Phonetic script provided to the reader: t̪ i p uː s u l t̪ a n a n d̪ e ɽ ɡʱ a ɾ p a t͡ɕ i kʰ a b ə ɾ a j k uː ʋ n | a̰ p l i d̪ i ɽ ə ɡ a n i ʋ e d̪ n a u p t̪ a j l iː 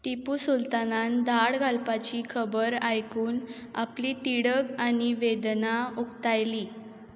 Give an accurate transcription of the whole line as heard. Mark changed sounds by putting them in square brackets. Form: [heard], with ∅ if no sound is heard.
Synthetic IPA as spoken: t̪ i p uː s u l t̪ a n a n d̪ [a] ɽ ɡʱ a [l] p a t͡ɕ i kʰ [ə] b ə ɾ a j k uː [∅] n | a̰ p l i [t̪] i ɽ ə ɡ a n i ʋ e d̪ n a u [k] t̪ a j l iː